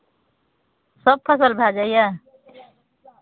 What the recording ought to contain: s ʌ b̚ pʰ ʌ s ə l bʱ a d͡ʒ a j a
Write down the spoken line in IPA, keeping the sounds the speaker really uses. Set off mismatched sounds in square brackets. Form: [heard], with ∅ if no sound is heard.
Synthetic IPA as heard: s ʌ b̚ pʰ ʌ s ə l bʱ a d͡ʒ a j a